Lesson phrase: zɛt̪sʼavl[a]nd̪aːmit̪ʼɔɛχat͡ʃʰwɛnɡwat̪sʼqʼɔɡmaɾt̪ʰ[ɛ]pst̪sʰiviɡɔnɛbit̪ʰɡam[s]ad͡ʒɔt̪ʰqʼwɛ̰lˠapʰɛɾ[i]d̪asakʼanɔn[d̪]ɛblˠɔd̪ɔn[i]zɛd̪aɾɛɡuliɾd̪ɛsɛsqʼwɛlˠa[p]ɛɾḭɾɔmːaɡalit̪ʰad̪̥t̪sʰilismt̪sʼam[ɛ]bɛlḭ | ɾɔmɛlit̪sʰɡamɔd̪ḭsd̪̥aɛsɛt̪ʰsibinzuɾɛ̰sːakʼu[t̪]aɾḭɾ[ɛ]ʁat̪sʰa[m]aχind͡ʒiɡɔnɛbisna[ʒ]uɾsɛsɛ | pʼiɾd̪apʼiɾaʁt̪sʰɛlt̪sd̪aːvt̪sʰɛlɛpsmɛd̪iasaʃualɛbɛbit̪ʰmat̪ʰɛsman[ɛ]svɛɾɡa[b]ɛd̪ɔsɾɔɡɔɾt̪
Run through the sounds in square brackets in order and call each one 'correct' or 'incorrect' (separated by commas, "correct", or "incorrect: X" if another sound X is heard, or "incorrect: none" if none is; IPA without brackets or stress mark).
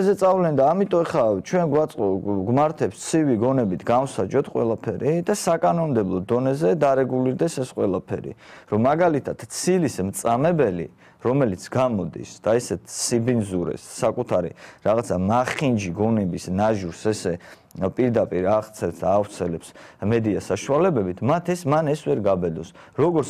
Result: incorrect: ɛ, correct, correct, correct, correct, incorrect: ɛ, incorrect: pʰ, correct, incorrect: t̪ʰ, incorrect: a, correct, correct, correct, correct